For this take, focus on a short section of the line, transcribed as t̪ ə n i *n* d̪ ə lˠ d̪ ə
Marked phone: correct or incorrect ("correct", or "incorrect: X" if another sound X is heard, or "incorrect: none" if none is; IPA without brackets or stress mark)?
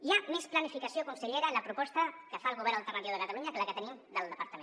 incorrect: m